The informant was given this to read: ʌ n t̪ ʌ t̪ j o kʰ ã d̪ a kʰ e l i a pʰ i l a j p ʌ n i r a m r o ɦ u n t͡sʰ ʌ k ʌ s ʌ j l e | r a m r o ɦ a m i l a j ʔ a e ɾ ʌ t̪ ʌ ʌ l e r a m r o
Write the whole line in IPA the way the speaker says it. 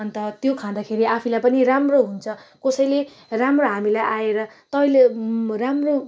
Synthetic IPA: ʌ n t̪ ʌ t̪ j o kʰ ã d̪ a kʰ e ɾ i a pʰ i l a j p ʌ n i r a m r o ɦ u n t͡sʰ ʌ k ʌ s ʌ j l e | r a m r o ɦ a m i l a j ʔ a e ɾ ʌ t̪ ʌ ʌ l e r a m r o